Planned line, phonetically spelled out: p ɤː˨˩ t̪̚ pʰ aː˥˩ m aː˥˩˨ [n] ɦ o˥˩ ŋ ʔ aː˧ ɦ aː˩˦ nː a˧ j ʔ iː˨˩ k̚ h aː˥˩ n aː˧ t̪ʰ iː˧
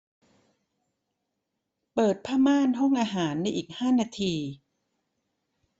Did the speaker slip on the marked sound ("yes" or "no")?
no